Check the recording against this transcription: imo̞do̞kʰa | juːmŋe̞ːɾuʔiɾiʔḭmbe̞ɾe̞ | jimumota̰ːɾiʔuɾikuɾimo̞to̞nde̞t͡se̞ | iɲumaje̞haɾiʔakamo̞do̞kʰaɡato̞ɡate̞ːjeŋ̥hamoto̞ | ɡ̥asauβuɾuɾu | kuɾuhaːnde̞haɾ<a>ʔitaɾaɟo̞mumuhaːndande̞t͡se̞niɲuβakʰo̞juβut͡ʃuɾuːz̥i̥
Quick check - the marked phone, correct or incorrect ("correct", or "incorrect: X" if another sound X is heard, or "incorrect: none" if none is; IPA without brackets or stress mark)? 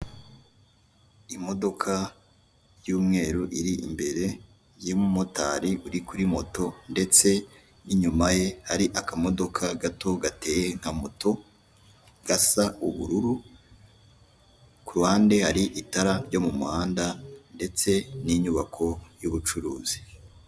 incorrect: i